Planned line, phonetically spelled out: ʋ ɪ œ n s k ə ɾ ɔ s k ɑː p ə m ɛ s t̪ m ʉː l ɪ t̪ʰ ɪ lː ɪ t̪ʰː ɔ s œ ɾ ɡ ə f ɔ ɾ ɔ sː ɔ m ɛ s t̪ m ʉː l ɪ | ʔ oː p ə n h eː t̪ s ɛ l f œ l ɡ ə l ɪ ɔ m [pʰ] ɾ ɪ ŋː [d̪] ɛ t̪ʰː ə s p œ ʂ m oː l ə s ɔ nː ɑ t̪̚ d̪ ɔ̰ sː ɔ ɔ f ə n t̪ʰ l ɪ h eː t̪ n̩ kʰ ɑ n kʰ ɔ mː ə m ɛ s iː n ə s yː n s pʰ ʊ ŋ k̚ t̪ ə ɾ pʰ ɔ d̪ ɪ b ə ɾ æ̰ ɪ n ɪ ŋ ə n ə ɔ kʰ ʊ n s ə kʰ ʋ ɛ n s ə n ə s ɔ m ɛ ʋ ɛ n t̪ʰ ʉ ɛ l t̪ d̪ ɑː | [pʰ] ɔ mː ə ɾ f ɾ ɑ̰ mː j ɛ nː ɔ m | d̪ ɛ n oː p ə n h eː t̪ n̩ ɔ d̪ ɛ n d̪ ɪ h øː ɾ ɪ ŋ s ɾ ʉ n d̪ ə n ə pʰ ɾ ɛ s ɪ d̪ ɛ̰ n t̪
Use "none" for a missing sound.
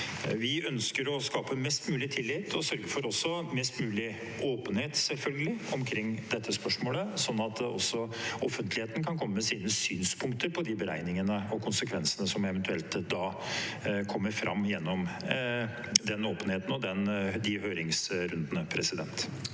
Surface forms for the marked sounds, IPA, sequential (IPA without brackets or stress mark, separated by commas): kʰ, d̪, kʰ